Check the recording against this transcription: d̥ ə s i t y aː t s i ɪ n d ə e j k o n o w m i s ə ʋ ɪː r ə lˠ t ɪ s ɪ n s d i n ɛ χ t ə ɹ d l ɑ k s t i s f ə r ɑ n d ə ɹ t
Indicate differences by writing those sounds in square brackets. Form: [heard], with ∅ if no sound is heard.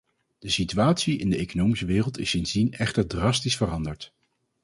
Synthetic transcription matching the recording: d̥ ə s i t y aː t s i ɪ n d ə e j k o n o w m i s ə ʋ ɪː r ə lˠ t ɪ s ɪ n [z] d i n ɛ χ t ə ɹ d [r] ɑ [∅] s t i s f ə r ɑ n d ə ɹ t

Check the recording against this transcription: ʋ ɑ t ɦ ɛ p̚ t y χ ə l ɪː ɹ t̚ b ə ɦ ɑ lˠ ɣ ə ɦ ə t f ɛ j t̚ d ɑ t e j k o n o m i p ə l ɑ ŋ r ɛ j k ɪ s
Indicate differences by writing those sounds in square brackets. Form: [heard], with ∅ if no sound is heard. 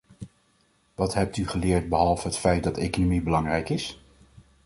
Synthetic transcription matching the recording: ʋ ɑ t ɦ ɛ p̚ t y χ ə l ɪː ɹ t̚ b ə ɦ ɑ lˠ [v] ə ɦ ə t f ɛ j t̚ d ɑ t e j k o n o m i [b] ə l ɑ ŋ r ɛ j k ɪ s

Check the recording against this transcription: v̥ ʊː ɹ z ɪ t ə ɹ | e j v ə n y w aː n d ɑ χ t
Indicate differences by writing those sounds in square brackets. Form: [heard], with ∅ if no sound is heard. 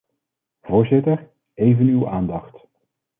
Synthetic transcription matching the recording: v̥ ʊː ɹ z ɪ t ə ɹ | e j v ə n y w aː n d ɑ χ t

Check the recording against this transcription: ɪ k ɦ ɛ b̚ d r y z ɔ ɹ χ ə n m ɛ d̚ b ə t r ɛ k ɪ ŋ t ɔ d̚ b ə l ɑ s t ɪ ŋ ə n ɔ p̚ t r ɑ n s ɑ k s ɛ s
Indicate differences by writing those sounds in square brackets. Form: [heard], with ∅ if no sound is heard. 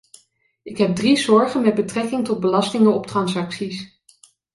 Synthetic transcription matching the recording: ɪ k ɦ ɛ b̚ d r [i] z ɔ ɹ χ ə n m ɛ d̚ b ə t r ɛ k ɪ ŋ t ɔ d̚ b ə l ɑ s t ɪ ŋ ə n ɔ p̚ t r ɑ n s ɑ k s [i] s

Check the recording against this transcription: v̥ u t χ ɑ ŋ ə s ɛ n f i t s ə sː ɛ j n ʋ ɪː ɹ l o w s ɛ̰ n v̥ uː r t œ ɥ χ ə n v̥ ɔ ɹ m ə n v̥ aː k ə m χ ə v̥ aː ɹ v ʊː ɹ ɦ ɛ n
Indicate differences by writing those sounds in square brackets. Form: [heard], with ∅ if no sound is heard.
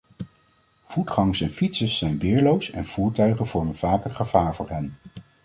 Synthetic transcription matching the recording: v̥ u t χ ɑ ŋ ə s ɛ n f i t s ə sː ɛ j n ʋ ɪː ɹ l o w s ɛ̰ n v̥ uː [ɹ] t œ ɥ χ ə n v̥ ɔ ɹ m ə n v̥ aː k ə [∅] χ ə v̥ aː ɹ v ʊː ɹ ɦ ɛ n

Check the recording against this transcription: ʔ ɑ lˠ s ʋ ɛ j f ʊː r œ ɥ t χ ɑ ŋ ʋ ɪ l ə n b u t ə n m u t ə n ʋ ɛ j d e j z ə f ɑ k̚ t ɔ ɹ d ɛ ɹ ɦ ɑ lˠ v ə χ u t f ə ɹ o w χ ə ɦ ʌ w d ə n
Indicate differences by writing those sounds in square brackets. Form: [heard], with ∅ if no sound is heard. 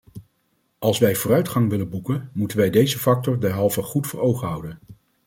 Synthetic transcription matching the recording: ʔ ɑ lˠ s ʋ ɛ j [v] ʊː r œ ɥ t χ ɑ ŋ ʋ ɪ l ə n b u [k] ə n m u t ə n ʋ ɛ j d e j z ə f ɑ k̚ t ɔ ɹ d ɛ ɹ ɦ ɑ lˠ v ə χ u t f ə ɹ o w χ ə ɦ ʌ w d ə n

